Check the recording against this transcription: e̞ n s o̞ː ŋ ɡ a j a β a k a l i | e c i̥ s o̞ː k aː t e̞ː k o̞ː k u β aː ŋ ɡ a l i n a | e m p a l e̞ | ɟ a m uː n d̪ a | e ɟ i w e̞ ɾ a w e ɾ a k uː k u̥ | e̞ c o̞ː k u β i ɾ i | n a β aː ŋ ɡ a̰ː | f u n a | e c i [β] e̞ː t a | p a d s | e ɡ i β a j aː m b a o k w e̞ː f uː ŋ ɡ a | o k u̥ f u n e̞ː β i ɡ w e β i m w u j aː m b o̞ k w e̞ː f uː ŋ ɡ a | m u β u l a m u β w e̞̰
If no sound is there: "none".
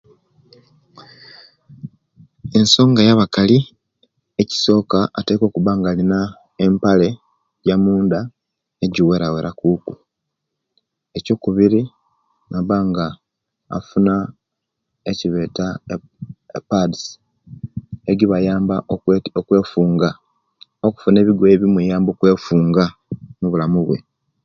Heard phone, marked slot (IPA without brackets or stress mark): β